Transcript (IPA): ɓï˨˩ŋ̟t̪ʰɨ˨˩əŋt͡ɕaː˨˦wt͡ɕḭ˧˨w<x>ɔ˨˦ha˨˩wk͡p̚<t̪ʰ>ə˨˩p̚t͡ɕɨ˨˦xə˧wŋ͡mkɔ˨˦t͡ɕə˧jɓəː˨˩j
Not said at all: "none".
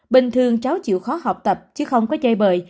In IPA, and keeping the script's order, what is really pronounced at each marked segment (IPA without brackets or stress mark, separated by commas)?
x, t̪